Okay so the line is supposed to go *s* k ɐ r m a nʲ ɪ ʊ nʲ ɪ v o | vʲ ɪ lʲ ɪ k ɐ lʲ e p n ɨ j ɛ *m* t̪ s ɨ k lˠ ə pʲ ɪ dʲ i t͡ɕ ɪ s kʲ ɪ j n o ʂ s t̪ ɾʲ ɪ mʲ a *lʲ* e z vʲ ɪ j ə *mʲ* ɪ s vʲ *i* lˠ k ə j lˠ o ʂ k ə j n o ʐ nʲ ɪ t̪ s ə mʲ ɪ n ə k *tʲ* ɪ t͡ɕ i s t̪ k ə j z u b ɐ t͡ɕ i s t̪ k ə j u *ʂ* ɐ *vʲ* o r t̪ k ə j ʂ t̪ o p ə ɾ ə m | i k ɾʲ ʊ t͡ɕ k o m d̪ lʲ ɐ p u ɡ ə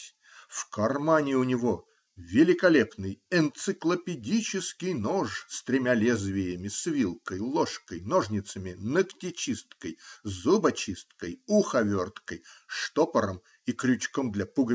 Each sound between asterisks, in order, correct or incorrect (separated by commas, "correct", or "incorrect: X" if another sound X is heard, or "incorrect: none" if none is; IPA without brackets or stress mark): incorrect: f, incorrect: n, correct, correct, correct, correct, incorrect: x, correct